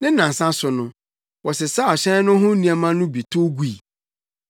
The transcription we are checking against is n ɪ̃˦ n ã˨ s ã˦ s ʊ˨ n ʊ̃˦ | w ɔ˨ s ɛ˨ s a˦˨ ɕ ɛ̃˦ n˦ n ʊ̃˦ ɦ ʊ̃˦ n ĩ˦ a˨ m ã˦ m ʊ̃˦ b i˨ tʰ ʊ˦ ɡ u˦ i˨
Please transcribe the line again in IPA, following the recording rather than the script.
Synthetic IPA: n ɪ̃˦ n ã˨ s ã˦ s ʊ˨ n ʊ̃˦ | w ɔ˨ s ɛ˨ s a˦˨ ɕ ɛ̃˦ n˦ n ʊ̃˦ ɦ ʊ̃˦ n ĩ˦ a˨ m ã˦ n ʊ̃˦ b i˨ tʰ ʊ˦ ɡ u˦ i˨